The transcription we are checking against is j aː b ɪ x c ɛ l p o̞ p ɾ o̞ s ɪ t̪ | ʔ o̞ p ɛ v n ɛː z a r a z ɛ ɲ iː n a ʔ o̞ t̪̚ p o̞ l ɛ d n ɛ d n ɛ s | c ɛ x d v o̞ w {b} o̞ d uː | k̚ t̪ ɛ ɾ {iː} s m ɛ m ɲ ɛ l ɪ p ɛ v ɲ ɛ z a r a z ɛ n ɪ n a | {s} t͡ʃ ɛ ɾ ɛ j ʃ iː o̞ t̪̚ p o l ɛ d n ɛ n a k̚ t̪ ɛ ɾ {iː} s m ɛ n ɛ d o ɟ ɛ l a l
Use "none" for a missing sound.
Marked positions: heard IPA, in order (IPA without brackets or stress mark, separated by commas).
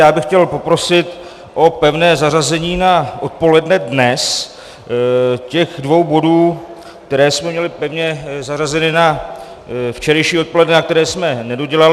b, ɛː, f, ɛː